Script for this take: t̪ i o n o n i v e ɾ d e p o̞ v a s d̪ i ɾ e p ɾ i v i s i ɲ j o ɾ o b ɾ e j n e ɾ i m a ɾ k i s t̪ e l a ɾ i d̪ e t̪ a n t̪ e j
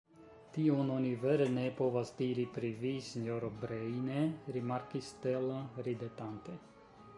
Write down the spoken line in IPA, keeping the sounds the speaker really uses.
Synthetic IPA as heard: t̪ i o n o n i v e ɾ n e p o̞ v a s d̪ i ɾ i p ɾ i v i s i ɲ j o ɾ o b ɾ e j n e ɾ i m a ɾ k i s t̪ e l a ɾ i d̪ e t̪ a n t̪ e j